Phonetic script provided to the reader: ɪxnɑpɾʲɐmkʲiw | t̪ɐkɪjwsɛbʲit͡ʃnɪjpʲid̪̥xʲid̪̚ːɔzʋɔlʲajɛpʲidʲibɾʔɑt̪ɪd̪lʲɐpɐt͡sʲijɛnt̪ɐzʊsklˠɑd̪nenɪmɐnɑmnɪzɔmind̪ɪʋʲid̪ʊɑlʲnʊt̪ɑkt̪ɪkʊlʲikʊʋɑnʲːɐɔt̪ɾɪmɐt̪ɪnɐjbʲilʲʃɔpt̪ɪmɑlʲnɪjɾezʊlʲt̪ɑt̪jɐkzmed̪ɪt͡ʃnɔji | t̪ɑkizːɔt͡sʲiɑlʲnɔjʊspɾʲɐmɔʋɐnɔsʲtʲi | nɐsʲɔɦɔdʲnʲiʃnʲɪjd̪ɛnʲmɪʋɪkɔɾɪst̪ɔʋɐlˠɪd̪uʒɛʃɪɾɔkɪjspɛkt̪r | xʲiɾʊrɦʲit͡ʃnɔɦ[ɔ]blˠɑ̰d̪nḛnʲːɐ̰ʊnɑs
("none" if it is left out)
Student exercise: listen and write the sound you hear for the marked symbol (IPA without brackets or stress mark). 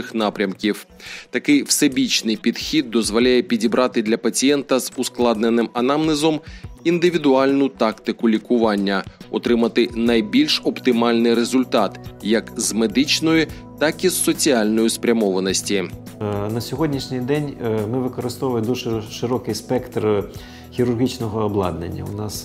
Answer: ɔː